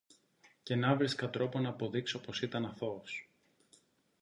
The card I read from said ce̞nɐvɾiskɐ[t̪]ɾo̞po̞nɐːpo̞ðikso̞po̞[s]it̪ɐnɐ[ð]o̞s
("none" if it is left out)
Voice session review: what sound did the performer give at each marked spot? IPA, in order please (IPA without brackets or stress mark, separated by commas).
t̪, s, θ